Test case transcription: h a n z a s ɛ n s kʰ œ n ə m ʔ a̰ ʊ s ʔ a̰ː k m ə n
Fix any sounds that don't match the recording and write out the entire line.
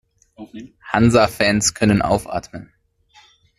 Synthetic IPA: h a n z a f ɛ n s kʰ œ n ə n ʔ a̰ ʊ f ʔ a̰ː t m ə n